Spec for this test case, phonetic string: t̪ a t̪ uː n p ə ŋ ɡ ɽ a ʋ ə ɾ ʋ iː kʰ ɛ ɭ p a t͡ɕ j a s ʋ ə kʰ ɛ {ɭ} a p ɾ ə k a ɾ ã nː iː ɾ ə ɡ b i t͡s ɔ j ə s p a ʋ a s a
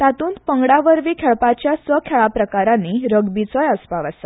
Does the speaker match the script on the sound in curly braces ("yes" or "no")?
yes